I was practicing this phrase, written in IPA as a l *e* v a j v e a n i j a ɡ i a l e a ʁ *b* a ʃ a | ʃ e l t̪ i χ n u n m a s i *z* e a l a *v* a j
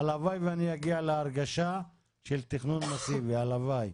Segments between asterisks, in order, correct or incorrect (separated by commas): incorrect, incorrect, incorrect, correct